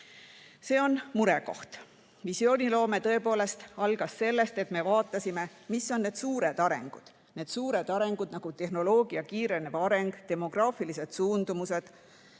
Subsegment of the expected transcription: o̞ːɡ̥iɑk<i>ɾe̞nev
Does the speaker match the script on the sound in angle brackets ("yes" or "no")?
no